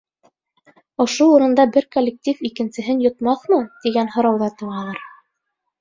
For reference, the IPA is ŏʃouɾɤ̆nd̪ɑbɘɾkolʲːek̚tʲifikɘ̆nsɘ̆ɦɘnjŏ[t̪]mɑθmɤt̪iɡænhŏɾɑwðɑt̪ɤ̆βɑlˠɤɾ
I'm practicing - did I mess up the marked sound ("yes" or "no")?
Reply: no